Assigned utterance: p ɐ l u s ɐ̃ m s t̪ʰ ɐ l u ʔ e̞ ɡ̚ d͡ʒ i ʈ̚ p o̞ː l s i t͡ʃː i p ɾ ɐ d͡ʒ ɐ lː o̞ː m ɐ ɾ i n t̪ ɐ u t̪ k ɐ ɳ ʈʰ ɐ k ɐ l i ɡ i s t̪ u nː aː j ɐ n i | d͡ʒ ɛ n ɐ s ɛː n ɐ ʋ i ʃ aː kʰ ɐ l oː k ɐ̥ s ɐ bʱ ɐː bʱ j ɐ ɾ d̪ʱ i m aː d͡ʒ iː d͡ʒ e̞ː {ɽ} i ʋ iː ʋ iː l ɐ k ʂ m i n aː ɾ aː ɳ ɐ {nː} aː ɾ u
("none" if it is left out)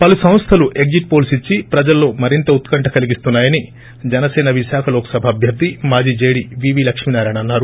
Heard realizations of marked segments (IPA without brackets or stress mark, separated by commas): ɽ, nː